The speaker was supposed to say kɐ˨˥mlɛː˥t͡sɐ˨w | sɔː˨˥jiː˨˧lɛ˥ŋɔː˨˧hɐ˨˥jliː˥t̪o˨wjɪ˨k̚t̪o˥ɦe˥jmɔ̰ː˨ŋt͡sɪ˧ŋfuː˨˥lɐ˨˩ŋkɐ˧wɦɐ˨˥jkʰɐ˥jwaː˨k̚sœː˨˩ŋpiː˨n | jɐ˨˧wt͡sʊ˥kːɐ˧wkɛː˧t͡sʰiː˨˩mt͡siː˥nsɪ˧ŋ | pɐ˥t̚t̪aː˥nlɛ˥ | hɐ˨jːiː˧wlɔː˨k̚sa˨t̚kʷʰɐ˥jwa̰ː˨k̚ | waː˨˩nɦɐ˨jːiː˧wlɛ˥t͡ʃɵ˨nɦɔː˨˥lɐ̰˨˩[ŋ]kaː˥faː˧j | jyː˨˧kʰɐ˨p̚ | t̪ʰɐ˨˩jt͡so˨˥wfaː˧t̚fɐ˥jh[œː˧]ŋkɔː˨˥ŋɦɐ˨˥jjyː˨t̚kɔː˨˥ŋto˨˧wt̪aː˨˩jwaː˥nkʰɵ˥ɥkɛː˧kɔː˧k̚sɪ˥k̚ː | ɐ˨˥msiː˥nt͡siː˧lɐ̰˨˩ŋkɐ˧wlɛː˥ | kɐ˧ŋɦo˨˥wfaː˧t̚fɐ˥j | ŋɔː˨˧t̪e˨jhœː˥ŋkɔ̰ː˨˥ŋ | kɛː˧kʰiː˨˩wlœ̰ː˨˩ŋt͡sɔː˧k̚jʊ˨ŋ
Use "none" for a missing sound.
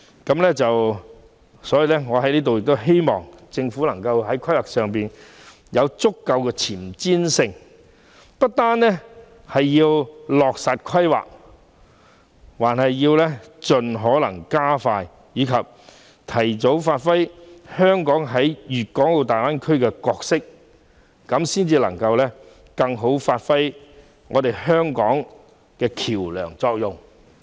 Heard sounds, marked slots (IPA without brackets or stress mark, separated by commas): ŋ, œː˥